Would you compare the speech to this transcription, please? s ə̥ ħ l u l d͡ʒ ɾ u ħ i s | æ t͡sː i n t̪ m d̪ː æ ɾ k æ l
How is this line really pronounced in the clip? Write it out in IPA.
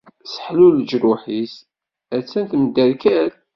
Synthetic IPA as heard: s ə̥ ħ l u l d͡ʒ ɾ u ħ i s | æ t͡sː æ n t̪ m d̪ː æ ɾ k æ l

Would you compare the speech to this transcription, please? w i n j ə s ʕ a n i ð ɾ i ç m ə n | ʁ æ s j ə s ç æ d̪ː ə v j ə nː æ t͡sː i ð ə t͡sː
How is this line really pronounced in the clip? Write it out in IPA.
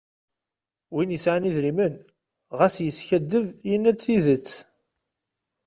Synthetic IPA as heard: w i n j ə s ʕ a n i ð ɾ i m ə n | ʁ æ s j ə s ç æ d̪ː ə v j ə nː æ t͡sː i ð ə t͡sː

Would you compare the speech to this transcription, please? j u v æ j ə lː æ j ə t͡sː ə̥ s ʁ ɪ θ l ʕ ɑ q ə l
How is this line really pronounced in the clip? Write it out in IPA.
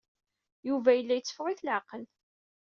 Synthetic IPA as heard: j u v æ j ə lː æ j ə t͡sː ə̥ f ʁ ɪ θ l ʕ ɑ q ə l

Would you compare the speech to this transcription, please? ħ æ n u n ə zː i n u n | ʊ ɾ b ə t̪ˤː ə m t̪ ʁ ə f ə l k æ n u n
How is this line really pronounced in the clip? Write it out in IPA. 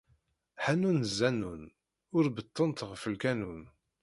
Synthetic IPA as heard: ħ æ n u n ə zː æ n u n | ʊ ɾ b ə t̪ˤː ə n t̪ ʁ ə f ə l k æ n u n

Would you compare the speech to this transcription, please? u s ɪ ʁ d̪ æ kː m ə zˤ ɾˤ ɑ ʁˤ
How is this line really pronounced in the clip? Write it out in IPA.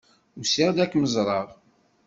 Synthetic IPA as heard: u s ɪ ʁ d̪ æ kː m ə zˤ ɾˤ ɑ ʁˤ

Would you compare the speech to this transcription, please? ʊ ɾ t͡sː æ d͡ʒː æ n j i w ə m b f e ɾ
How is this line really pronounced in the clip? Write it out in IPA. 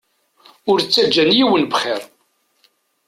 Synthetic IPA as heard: ʊ ɾ t͡sː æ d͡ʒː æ n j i w ə n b χ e ɾ

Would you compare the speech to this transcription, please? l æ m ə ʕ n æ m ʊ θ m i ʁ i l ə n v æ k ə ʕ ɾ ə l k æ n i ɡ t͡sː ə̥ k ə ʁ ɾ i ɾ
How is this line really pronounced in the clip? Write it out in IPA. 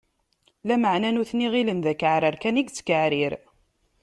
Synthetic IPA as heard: l æ m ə ʕ n æ n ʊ θ n i ʁ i l ə n ð æ k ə ʕ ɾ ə ɾ k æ n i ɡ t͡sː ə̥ k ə ʕ ɾ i ɾ

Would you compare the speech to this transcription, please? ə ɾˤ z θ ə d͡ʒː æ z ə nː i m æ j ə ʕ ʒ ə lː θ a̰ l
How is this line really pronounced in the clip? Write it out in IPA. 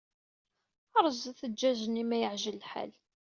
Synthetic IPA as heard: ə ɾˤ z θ ə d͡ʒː æ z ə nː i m æ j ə ʕ ʒ ə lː ħ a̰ l

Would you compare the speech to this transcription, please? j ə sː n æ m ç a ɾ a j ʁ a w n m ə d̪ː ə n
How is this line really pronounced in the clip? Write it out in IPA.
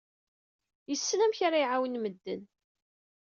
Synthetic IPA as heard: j ə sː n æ m ç a ɾ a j ʕ a w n m ə d̪ː ə n

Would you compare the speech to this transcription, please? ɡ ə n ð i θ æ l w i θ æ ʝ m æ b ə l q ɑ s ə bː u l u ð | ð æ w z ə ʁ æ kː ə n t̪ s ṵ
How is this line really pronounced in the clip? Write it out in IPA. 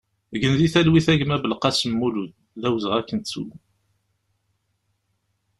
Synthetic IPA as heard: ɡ ə n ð i θ æ l w i θ æ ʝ m æ b ə l q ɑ s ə mː u l u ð | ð æ w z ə ʁ æ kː ə n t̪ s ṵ

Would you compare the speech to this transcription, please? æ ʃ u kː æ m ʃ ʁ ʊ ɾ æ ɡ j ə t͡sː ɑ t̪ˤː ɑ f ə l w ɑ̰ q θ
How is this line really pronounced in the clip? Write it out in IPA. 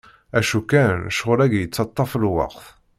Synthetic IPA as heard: æ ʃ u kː æ n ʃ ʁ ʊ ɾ æ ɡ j ə t͡sː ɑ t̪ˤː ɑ f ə l w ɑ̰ q θ

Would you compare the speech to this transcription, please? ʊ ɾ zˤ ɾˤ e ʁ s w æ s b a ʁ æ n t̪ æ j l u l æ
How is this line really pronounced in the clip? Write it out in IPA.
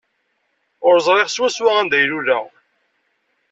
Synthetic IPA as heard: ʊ ɾ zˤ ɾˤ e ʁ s w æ s w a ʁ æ n d̪ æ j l u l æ

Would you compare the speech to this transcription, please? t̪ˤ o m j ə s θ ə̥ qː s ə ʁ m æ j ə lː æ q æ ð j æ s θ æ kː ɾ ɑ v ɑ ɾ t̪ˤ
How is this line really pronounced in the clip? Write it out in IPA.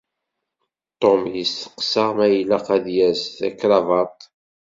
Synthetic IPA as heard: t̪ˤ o m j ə s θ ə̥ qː s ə ʁ m æ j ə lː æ q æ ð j æ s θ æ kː ɾ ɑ v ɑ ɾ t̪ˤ

